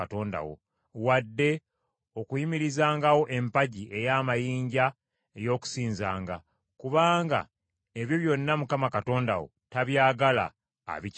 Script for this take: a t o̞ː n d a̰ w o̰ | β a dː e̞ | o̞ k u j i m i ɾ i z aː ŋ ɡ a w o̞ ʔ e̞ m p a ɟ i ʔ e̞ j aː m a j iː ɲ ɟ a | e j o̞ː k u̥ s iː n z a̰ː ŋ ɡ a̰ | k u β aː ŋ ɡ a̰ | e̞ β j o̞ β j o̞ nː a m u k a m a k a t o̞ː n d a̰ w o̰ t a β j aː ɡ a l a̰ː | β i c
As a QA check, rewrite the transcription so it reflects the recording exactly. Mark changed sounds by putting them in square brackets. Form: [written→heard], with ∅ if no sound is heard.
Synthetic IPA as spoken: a t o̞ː n d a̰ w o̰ | [β→w] a dː e̞ | o̞ k u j i m i ɾ i z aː ŋ ɡ a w o̞ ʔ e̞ m p a ɟ i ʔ e̞ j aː m a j iː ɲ ɟ a | e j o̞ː k u̥ s iː n z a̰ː ŋ ɡ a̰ | k u β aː ŋ ɡ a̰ | e̞ β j o̞ β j o̞ nː a m u k a m a k a t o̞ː n d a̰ w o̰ t a β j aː ɡ a l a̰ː | β i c